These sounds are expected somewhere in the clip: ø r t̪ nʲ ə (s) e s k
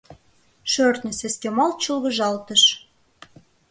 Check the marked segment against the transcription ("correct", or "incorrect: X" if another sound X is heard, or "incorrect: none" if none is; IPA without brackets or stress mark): correct